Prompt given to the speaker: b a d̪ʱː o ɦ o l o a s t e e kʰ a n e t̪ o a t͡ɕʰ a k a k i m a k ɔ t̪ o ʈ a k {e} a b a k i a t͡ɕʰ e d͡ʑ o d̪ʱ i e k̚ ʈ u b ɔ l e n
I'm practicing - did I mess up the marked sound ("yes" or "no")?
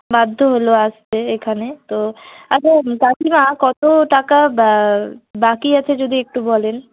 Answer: yes